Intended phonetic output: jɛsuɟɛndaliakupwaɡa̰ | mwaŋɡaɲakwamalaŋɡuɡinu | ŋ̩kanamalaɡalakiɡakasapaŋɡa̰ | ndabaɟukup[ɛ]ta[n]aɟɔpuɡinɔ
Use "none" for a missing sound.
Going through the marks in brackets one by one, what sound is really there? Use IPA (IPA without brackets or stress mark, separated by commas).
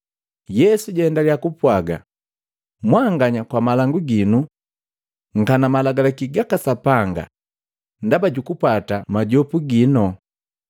a, m